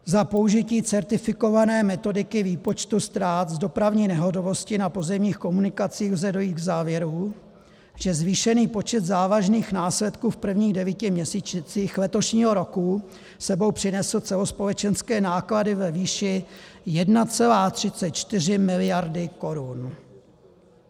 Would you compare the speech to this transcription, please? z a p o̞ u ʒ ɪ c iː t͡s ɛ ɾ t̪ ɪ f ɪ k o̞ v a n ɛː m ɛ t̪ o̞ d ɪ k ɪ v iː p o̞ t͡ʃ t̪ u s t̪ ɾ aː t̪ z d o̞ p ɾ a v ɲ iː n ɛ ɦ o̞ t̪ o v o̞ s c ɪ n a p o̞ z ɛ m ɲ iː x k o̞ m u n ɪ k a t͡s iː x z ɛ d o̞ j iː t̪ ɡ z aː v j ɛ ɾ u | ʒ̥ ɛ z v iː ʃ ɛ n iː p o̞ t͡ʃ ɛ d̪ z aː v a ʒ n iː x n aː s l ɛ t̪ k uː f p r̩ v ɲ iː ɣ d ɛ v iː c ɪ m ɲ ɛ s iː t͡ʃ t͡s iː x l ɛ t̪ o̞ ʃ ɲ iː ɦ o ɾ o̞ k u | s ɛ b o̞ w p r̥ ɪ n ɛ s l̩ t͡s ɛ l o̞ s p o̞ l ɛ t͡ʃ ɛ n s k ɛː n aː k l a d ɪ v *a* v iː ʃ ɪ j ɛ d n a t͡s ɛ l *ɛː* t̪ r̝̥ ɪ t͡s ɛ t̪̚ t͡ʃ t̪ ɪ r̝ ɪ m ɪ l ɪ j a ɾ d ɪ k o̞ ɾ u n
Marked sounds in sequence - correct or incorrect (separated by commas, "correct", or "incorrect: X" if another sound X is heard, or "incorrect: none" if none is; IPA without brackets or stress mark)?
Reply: incorrect: ɛ, incorrect: aː